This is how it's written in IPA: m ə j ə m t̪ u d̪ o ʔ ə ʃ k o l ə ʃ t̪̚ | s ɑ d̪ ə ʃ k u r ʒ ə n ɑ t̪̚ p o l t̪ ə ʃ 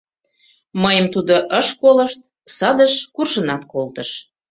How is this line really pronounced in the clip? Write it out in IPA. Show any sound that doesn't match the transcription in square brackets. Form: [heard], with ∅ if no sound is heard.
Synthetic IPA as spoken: m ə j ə m t̪ u d̪ o ʔ ə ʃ k o l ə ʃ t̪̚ | s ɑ d̪ ə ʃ k u r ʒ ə n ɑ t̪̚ [k] o l t̪ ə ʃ